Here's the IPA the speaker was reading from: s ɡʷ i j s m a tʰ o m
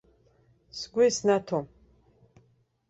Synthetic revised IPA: s ɡʷ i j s n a tʰ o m